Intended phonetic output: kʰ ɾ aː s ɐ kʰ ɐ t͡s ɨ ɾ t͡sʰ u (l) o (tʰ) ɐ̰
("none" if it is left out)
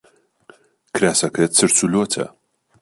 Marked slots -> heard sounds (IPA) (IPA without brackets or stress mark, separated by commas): l, tʰ